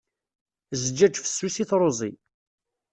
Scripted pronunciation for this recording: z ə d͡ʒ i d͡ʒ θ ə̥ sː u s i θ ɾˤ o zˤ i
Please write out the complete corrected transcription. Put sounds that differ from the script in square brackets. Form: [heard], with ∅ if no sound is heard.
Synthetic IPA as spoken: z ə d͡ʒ [æ] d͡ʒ [f] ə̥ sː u s i θ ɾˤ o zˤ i